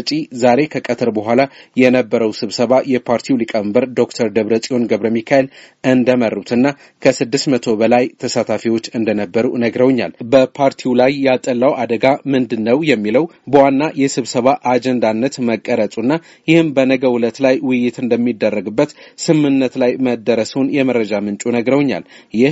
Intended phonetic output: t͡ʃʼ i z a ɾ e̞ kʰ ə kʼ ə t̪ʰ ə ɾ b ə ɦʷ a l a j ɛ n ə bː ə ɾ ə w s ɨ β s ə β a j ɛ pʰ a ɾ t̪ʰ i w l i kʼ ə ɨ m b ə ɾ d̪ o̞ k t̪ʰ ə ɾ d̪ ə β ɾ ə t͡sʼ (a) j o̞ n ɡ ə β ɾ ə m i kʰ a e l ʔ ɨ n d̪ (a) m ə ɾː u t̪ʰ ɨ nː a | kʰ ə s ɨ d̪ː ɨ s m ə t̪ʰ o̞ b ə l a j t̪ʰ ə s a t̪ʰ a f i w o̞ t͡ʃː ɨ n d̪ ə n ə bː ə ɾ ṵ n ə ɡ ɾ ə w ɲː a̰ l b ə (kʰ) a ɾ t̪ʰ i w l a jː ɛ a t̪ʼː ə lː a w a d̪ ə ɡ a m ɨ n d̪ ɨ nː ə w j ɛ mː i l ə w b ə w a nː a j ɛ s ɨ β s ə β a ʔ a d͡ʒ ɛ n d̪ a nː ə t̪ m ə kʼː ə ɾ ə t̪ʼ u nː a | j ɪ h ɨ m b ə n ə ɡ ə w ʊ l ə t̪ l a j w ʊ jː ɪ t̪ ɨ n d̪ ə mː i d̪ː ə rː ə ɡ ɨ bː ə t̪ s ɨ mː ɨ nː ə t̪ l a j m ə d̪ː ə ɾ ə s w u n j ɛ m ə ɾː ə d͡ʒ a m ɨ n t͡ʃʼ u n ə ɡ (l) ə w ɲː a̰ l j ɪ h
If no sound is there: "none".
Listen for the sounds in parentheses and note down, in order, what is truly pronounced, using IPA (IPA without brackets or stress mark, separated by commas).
i, ə, pʰ, ɾ